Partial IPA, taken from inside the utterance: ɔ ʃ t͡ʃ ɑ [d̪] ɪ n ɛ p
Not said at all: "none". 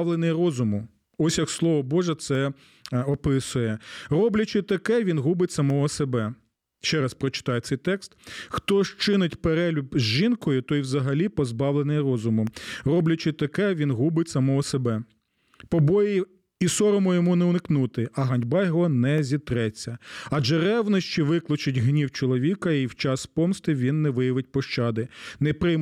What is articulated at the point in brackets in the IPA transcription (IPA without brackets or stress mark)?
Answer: d̪